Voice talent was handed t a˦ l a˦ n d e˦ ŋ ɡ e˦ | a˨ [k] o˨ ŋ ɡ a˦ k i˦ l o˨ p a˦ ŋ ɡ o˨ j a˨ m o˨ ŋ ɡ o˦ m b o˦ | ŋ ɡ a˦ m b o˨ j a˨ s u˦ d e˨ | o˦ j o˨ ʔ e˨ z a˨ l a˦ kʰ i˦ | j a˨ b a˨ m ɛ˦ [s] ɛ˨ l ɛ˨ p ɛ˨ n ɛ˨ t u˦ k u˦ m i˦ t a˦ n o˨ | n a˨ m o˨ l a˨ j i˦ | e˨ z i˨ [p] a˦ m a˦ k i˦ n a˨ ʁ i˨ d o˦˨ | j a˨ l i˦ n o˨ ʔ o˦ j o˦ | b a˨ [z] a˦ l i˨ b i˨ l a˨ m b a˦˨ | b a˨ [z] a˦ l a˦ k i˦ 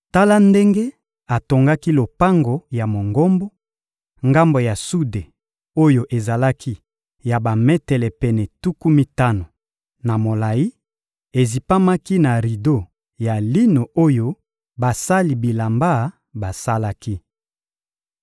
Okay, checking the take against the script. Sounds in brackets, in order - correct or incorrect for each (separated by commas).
incorrect, incorrect, correct, incorrect, incorrect